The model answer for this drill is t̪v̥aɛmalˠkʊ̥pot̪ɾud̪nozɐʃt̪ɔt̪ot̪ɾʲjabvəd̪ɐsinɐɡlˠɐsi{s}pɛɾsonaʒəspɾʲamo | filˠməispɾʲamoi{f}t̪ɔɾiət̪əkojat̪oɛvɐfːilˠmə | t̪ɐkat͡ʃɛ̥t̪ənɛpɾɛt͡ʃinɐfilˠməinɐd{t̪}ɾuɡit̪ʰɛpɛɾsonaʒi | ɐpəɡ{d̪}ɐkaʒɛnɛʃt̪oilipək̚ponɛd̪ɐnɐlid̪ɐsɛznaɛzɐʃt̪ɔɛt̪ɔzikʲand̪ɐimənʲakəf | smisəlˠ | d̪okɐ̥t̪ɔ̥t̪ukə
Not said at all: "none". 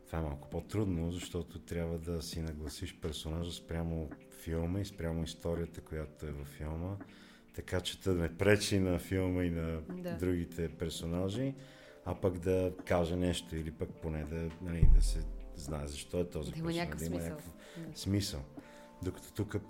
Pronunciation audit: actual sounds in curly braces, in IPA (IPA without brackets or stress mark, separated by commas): ʃ, s, d̪, d̪